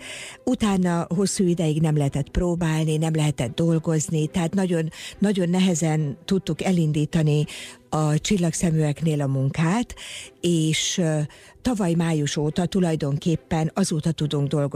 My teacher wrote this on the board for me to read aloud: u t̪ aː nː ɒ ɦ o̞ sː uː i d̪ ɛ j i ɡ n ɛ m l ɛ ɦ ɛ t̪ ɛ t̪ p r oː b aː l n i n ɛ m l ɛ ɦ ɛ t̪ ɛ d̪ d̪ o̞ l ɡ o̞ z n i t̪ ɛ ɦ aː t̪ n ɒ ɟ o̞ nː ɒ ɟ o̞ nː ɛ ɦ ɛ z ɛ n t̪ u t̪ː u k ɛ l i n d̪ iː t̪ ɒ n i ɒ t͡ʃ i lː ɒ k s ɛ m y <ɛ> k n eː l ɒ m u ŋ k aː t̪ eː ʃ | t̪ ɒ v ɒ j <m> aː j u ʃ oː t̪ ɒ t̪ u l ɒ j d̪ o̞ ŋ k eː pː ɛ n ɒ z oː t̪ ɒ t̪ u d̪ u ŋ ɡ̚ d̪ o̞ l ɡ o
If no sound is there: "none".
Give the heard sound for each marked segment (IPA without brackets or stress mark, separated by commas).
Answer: ɛ, m